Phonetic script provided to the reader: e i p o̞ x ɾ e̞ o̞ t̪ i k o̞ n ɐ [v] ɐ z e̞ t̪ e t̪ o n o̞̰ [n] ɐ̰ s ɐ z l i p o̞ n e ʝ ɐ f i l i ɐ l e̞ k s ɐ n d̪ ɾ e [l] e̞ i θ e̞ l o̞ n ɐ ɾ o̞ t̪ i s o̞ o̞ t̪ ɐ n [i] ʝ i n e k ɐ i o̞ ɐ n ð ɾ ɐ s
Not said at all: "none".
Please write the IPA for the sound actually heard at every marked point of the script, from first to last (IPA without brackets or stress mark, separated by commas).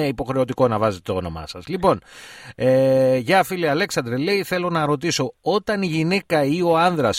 v, m, l, i